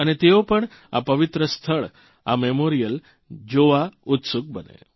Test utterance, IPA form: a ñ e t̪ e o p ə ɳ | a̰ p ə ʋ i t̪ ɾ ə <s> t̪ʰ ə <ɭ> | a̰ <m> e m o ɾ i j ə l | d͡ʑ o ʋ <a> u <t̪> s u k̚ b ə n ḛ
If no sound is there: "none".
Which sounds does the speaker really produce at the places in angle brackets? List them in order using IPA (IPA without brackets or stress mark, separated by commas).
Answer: s, ɭ, m, a, t̪